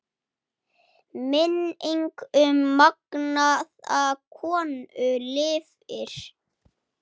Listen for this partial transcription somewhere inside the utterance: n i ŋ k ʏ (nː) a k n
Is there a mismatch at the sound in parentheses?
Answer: yes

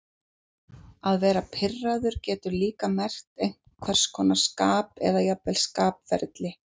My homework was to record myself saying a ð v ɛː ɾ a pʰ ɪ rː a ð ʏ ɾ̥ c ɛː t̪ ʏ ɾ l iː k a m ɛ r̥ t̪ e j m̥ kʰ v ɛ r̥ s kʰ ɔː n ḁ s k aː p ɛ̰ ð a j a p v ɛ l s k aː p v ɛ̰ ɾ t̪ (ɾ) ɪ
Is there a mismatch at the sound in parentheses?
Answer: yes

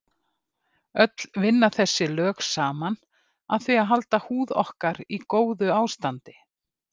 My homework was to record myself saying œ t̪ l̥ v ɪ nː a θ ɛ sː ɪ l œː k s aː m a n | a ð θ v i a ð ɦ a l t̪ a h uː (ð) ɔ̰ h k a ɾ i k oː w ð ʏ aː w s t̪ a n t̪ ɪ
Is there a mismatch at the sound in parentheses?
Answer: no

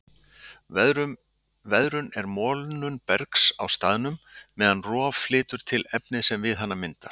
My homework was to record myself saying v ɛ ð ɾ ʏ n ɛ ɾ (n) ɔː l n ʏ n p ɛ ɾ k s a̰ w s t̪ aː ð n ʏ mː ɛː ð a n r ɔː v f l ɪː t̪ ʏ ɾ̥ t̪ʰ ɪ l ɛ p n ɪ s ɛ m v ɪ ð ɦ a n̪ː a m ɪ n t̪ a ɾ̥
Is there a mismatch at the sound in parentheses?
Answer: yes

